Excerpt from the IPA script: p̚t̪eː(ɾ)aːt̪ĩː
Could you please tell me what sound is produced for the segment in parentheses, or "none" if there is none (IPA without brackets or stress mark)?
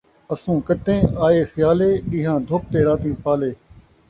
ɾ